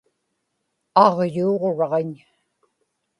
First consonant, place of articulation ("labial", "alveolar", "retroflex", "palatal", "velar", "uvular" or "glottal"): uvular